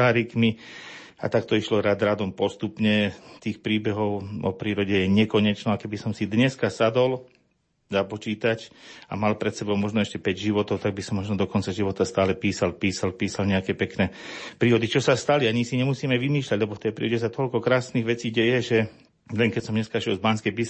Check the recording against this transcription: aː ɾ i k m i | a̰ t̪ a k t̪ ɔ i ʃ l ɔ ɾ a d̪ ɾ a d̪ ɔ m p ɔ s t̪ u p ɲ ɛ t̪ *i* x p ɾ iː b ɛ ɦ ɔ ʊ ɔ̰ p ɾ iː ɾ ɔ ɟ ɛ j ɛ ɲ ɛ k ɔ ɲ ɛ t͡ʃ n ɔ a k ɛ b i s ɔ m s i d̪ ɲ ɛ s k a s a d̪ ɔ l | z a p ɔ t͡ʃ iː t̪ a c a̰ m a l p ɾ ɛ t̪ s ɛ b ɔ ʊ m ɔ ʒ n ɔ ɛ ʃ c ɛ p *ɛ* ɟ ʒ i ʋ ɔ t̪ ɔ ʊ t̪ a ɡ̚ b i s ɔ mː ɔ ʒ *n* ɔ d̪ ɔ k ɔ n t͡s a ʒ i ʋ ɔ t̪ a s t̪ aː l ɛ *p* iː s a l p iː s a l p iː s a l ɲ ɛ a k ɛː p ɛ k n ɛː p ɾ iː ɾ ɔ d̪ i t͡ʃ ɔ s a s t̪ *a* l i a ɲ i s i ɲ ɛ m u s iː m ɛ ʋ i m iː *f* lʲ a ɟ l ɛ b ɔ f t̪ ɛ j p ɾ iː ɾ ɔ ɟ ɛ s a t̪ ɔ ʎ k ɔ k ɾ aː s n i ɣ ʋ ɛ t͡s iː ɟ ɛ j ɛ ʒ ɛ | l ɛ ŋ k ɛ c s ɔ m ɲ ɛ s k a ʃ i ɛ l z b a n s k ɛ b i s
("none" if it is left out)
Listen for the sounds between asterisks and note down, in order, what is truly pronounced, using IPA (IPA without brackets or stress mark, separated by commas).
iː, ɛ, n, p, a, ʃ